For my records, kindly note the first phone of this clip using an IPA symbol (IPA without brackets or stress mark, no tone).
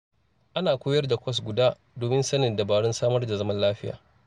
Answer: ʔ